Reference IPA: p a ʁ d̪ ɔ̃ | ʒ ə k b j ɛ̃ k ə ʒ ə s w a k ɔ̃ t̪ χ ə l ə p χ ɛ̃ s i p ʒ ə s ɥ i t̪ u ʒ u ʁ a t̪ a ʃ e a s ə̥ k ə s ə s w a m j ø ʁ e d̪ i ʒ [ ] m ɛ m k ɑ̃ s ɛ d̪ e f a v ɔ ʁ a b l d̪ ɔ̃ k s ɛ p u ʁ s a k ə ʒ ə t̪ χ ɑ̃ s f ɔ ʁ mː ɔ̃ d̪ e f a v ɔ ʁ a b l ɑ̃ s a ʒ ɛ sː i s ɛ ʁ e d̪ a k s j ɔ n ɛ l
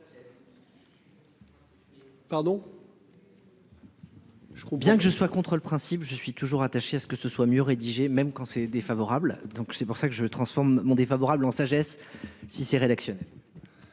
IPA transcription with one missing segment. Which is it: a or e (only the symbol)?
e